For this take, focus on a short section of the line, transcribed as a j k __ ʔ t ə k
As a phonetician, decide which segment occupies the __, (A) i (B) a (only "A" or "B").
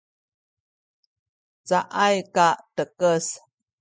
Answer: B